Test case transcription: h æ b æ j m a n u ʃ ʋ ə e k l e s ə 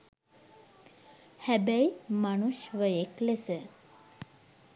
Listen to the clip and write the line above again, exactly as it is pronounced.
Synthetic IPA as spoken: h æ b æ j m a n u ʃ ʋ ə e k l e s ə